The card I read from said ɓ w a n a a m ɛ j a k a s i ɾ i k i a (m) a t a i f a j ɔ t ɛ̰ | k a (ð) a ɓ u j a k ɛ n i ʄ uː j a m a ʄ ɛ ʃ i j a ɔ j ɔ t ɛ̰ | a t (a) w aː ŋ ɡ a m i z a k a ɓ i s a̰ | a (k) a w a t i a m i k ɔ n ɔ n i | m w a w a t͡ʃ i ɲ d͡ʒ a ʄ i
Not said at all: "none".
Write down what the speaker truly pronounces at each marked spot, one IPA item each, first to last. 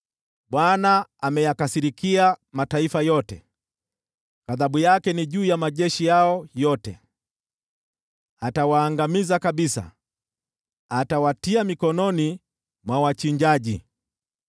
m, ð, a, t

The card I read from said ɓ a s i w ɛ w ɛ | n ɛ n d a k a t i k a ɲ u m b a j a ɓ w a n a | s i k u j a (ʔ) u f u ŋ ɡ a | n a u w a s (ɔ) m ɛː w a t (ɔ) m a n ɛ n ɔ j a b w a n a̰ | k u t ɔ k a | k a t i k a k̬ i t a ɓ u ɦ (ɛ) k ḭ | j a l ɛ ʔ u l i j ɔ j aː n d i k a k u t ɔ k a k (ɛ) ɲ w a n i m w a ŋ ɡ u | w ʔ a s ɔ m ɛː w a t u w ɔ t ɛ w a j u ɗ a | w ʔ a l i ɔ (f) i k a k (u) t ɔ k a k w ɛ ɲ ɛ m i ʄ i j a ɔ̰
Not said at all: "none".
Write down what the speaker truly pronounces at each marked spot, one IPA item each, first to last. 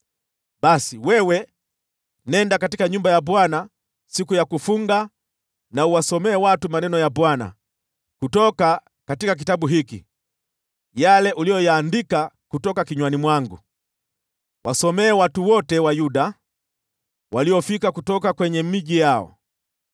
k, ɔ, u, i, i, f, u

